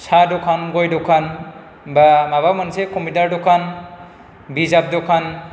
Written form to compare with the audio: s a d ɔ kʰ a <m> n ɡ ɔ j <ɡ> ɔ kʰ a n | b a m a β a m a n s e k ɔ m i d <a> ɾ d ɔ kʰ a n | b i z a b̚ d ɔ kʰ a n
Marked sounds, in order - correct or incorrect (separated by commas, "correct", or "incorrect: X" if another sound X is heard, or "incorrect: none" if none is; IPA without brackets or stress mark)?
incorrect: none, incorrect: d, correct